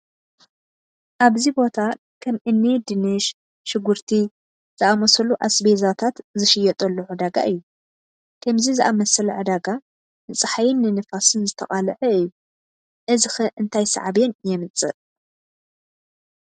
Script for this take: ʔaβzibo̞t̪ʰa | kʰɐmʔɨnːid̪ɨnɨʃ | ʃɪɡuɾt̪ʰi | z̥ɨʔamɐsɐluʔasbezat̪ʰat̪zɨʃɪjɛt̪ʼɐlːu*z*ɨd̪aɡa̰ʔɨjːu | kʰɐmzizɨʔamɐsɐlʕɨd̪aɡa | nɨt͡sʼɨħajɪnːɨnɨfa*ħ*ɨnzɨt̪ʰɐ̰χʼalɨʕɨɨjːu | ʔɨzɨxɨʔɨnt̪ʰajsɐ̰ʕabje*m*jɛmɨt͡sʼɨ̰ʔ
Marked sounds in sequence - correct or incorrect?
incorrect: ʕ, incorrect: s, incorrect: n

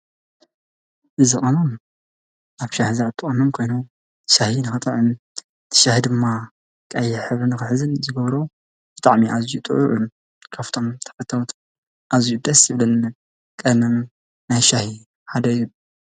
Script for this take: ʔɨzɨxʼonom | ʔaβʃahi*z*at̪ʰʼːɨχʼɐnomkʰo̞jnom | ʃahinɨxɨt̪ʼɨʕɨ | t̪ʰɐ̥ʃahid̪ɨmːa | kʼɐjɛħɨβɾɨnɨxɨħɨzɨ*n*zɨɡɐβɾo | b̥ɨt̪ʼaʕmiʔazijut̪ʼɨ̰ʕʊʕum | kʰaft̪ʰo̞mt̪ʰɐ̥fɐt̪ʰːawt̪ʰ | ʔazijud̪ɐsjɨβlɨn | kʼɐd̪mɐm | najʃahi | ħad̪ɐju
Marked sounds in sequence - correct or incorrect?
correct, correct

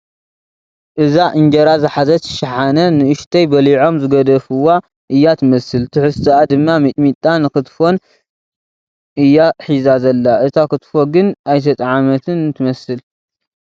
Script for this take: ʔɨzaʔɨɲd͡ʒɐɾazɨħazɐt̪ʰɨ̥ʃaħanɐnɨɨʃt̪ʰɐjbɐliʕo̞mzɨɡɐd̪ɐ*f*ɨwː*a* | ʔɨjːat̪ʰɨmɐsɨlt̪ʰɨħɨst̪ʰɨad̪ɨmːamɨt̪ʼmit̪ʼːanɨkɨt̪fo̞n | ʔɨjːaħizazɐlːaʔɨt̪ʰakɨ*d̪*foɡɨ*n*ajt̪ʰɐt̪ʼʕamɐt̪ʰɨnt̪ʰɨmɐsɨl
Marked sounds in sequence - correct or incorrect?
correct, correct, incorrect: t̪, correct

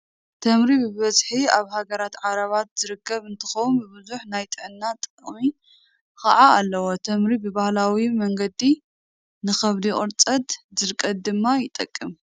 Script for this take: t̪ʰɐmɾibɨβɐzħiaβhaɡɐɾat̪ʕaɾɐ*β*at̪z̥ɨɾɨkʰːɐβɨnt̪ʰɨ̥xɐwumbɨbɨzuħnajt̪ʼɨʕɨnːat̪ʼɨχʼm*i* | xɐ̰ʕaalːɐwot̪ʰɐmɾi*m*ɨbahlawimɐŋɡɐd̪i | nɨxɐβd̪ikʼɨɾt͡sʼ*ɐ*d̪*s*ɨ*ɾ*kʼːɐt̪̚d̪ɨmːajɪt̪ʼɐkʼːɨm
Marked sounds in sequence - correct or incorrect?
correct, correct, incorrect: b, correct, incorrect: z, correct

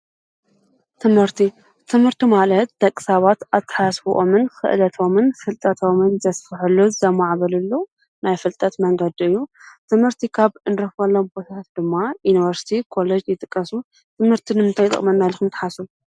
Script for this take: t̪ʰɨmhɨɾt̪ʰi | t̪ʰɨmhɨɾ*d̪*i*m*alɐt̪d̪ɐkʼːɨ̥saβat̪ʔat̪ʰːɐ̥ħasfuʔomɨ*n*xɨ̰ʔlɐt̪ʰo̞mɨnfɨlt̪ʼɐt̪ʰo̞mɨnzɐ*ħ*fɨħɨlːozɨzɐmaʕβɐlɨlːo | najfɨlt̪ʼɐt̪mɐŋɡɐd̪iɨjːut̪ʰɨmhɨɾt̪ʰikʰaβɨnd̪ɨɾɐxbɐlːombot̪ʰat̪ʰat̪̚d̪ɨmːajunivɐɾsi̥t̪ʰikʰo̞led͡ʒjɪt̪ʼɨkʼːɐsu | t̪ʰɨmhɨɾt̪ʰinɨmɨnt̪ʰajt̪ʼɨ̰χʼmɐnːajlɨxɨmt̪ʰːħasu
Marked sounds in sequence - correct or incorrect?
incorrect: t̪, correct, correct, incorrect: s

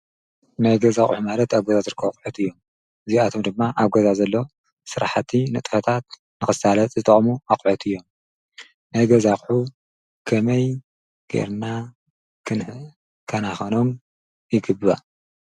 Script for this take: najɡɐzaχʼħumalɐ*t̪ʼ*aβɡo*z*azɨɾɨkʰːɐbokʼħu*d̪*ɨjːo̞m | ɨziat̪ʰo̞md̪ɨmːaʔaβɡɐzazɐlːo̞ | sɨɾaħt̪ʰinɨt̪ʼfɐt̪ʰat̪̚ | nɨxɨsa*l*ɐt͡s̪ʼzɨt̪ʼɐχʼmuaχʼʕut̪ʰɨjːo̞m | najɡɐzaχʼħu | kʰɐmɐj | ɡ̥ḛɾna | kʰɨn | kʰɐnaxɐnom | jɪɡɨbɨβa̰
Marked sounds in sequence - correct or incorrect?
incorrect: t̪, correct, incorrect: t̪, correct

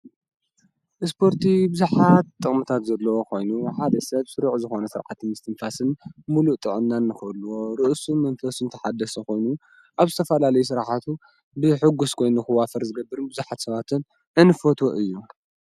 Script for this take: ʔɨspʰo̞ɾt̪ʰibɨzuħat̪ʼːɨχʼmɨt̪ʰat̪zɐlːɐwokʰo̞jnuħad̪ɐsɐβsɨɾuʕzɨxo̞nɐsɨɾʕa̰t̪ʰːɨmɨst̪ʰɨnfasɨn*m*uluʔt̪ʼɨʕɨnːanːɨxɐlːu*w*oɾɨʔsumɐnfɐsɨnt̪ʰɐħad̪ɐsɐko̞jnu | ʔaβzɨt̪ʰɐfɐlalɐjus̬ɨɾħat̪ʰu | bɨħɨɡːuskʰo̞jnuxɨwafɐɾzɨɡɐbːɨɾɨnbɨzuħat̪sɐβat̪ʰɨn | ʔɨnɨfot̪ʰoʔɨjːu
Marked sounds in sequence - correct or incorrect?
correct, correct

